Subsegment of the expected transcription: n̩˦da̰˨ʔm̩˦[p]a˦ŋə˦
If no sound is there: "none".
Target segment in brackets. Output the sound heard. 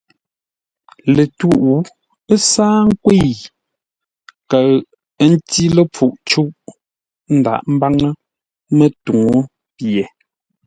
b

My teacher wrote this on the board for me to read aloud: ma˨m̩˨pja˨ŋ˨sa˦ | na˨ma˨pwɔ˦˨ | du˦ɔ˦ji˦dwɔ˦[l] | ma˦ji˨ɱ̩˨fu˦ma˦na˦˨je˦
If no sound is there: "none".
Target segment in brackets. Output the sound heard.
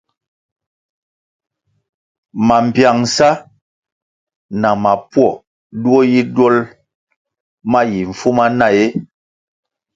l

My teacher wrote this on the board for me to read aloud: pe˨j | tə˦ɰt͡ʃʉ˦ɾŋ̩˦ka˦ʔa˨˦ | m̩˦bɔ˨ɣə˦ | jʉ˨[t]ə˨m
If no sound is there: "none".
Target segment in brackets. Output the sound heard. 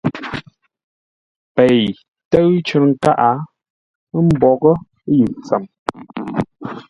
t͡s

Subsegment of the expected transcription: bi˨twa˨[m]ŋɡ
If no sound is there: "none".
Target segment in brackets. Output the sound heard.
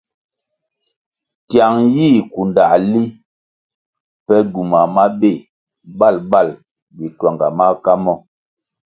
none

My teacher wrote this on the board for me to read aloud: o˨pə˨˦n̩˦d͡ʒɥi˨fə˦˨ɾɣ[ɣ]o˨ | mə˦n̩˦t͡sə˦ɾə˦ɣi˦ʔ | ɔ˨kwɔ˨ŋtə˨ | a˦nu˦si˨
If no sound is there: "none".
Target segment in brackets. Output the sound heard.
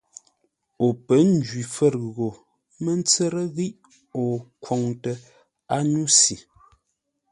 ɣ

